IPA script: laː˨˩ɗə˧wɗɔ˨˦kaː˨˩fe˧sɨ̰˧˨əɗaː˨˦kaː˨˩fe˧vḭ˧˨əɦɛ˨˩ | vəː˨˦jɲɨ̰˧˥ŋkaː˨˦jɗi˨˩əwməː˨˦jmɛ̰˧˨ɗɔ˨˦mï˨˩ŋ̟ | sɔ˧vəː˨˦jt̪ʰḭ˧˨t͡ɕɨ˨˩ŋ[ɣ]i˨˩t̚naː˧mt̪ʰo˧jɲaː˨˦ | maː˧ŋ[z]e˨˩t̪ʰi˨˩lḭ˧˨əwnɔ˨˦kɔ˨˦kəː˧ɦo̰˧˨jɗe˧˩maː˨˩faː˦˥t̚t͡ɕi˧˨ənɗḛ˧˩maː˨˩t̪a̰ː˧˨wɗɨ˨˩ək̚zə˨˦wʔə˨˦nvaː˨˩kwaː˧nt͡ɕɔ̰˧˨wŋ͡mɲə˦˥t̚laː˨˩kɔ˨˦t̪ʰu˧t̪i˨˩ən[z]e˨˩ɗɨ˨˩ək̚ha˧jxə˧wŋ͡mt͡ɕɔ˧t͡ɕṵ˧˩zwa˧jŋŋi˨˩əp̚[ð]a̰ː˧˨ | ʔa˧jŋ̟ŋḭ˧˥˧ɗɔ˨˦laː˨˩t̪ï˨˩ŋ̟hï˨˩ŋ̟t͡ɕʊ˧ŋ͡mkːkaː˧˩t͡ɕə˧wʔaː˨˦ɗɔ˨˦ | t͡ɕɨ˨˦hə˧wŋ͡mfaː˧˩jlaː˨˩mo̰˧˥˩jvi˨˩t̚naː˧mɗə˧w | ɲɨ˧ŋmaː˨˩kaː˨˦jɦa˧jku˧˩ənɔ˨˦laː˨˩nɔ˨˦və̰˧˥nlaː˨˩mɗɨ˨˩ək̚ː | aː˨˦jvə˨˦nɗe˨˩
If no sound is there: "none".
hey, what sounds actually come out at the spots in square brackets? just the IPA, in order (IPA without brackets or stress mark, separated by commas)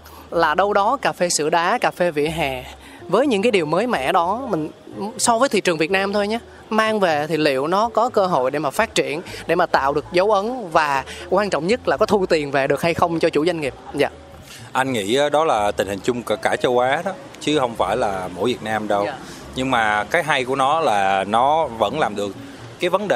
v, v, v, z